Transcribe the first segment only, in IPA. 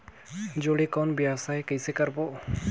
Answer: d͡ʒ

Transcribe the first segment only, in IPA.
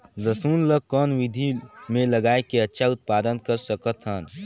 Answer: z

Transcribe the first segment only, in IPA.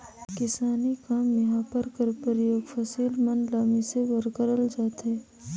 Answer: k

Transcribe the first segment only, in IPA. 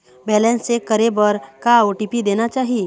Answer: b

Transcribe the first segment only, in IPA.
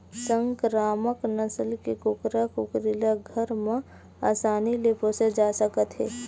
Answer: s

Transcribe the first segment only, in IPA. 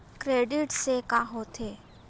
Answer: k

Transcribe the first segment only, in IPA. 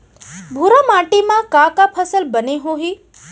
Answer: bʱ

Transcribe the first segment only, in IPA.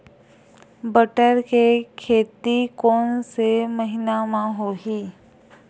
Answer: b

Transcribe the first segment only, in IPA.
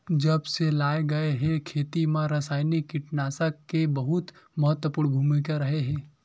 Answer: d͡ʒ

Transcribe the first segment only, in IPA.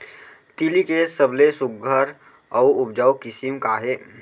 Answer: t̪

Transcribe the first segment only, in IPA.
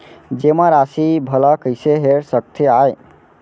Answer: d͡ʒ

